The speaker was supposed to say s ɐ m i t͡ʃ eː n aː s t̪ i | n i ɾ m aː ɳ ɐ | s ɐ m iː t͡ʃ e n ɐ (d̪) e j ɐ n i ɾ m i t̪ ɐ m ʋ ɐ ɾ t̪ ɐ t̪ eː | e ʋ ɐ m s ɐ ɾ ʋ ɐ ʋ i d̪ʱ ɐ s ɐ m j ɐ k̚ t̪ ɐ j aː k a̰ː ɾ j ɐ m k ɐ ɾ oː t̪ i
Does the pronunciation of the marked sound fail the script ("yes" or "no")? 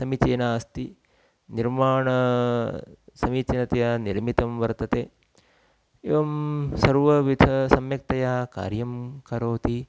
yes